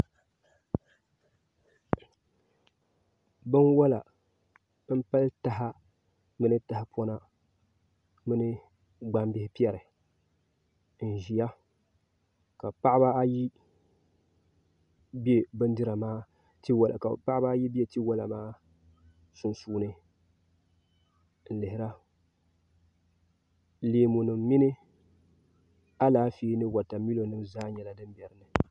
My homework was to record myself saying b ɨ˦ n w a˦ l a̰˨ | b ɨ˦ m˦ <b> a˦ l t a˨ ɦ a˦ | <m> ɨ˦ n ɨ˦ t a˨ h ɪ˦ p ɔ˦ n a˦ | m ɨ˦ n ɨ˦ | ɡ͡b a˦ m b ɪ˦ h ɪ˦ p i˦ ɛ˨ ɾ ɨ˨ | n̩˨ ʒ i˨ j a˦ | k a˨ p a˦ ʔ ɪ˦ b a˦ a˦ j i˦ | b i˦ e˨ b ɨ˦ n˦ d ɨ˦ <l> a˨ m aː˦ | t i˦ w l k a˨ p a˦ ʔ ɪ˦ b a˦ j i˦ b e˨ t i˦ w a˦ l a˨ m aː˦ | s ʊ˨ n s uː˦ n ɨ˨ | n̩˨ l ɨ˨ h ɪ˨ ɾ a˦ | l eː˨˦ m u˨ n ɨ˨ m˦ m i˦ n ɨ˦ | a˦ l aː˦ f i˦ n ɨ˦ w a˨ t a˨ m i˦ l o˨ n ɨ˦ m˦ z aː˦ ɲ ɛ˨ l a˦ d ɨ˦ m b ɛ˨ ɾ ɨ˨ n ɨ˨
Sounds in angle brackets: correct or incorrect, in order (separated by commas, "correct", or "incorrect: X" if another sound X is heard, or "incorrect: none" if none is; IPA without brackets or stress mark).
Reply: incorrect: p, correct, incorrect: ɾ